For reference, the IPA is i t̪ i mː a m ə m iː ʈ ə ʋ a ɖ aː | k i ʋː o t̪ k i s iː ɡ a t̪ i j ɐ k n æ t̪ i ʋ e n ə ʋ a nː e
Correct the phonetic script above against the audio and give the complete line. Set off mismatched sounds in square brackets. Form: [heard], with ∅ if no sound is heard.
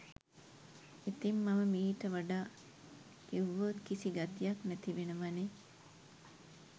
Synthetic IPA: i t̪ i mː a m ə m iː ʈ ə ʋ a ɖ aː | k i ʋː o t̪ k i s [i] ɡ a t̪ i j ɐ k n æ t̪ i ʋ e n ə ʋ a [n] e